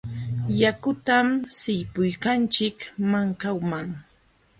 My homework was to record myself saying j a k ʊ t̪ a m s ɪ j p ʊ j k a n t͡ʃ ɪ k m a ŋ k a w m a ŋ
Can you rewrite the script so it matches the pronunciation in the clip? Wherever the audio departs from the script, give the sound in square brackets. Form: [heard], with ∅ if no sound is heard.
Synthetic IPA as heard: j a k ʊ t̪ a m s ɪ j p ʊ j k a n t͡ʃ ɪ k m a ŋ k a w m a ŋ